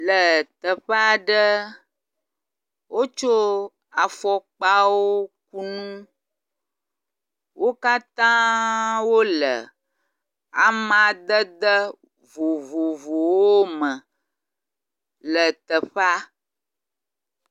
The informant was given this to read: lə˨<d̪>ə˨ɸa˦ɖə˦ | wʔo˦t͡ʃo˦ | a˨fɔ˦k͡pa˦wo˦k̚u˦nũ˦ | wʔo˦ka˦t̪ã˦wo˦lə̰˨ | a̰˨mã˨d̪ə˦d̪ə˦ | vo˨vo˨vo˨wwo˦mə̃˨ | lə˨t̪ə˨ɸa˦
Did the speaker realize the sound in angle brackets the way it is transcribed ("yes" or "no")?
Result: no